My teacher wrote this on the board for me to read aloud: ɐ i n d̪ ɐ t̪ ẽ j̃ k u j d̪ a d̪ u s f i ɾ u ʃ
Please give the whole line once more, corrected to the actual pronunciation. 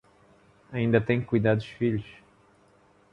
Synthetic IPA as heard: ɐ ĩ n d̪ ɐ t̪ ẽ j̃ k u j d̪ a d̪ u ʃ f i ʎ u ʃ